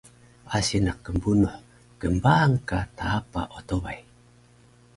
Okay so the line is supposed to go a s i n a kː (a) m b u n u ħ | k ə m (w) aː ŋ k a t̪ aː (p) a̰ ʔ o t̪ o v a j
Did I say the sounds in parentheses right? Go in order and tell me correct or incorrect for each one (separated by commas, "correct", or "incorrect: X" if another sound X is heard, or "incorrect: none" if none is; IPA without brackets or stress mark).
incorrect: ə, incorrect: b, correct